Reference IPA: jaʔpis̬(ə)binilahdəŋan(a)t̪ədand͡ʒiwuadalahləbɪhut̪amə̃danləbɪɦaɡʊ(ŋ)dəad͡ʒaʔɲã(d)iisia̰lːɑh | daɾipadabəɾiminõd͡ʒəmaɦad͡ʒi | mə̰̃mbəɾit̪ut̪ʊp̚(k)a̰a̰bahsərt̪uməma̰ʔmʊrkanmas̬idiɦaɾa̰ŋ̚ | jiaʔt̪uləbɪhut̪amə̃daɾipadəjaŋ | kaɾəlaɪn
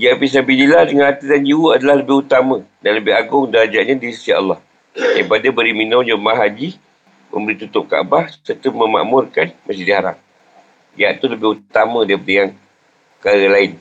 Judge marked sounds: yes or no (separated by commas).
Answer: no, yes, yes, yes, yes